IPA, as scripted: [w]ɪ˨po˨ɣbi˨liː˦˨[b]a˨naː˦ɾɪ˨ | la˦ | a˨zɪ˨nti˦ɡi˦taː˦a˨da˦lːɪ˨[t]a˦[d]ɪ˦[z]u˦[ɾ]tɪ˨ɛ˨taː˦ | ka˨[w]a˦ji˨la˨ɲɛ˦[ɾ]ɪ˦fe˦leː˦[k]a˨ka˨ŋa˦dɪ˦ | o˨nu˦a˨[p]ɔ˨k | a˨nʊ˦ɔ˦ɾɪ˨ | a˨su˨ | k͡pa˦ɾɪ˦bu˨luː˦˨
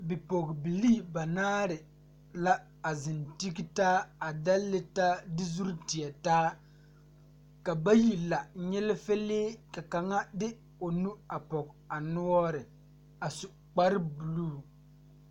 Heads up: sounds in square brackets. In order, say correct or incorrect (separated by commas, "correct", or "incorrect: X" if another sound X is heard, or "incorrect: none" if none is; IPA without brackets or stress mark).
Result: incorrect: b, correct, correct, correct, correct, correct, incorrect: b, incorrect: l, correct, correct